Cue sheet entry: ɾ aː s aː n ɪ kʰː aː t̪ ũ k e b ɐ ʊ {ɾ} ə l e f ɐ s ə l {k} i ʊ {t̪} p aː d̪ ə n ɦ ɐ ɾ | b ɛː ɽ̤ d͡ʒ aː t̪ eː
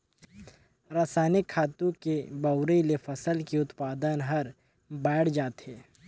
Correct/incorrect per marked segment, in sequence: correct, correct, correct

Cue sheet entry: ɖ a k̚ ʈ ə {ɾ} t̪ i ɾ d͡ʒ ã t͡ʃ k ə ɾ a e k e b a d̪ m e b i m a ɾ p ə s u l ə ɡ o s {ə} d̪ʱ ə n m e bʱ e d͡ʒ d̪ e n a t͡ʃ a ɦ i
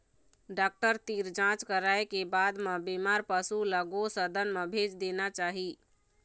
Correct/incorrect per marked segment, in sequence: correct, correct

